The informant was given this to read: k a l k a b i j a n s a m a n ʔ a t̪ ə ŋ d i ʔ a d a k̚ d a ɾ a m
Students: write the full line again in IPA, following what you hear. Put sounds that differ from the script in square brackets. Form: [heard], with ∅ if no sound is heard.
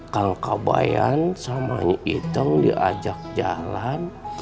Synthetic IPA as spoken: k a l k a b [a] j a n s a m a [ɲ] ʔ [i] t̪ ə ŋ d i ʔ a [d͡ʒ] a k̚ [d͡ʒ] a [l] a [n]